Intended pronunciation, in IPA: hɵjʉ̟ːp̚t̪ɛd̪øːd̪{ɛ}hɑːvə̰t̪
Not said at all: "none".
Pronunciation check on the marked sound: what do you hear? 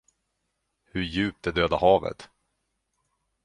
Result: a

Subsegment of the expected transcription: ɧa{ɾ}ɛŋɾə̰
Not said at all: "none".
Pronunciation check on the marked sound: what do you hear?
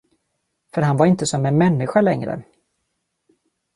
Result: l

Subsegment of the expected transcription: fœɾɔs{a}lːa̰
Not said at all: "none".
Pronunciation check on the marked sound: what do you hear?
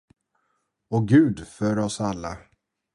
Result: a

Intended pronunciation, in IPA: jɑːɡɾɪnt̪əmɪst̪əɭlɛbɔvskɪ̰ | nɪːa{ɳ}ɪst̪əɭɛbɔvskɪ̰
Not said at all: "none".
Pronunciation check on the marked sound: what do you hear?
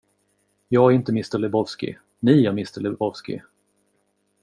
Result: m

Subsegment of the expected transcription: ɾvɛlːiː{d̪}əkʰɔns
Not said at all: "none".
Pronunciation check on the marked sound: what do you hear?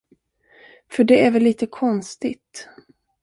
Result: t̪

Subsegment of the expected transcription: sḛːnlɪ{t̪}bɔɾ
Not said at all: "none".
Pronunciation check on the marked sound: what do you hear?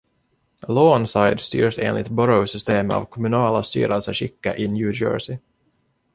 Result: t̪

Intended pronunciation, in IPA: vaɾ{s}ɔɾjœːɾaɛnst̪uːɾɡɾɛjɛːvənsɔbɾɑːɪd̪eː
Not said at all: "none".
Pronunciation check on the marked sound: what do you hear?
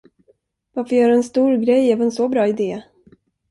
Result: f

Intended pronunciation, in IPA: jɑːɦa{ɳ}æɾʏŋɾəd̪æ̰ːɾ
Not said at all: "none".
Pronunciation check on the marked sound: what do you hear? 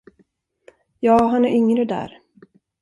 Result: n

